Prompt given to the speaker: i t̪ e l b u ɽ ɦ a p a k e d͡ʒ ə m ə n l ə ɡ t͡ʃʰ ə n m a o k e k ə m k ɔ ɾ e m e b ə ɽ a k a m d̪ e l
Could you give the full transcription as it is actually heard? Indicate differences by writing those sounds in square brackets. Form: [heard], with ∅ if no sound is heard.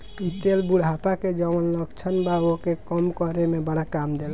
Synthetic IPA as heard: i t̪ e l b u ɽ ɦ a p a k e d͡ʒ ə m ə n l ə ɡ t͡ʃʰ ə n [b] a o k e k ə m k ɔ ɾ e m e b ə ɽ a k a m d̪ e l